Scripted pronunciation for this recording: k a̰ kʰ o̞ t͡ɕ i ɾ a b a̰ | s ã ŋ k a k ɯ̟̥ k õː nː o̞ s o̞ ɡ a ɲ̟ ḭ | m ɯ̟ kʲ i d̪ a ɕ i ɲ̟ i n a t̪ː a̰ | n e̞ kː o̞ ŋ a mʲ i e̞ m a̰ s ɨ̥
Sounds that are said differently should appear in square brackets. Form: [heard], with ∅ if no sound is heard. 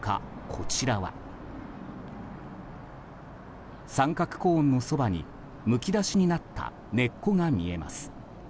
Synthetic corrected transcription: k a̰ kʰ o̞ t͡ɕ i ɾ a [β] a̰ | s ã ŋ k a k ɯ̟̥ k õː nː o̞ s o̞ [b] a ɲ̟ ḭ | m ɯ̟ kʲ i d̪ a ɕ i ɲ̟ i n a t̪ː a̰ | n e̞ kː o̞ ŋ a mʲ i e̞ m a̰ s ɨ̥